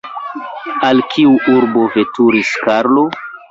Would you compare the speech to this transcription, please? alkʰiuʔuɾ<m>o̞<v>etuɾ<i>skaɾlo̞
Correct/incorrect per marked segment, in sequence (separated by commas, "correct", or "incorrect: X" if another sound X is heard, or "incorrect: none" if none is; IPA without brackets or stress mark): incorrect: b, correct, correct